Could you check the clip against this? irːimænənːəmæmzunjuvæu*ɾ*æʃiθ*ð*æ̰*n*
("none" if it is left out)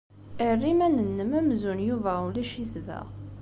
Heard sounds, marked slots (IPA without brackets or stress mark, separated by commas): l, ð, none